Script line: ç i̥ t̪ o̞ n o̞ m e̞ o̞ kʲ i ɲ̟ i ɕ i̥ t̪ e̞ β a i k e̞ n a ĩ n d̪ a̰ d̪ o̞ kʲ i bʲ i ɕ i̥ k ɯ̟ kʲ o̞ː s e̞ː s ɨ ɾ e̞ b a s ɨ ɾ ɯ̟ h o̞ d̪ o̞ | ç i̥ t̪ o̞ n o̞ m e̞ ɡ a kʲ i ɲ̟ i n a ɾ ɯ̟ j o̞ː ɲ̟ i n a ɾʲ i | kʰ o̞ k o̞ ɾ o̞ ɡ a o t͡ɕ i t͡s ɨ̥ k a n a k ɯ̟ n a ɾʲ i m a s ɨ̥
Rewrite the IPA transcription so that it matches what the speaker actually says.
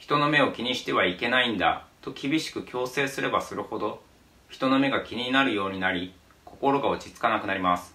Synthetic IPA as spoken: ç i̥ t̪ o̞ n o̞ m e̞ o̞ kʲ i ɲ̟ i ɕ i̥ t̪ e̞ β a i k e̞ n a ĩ n d̪ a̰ t̪ o̞ kʲ i bʲ i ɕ i̥ k ɯ̟ kʲ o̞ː s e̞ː s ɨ ɾ e̞ b a s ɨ ɾ ɯ̟ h o̞ d̪ o̞ | ç i̥ t̪ o̞ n o̞ m e̞ ɡ a kʲ i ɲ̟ i n a ɾ ɯ̟ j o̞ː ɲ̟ i n a ɾʲ i | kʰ o̞ k o̞ ɾ o̞ ɡ a o t͡ɕ i t͡s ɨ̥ k a n a k ɯ̟ n a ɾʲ i m a s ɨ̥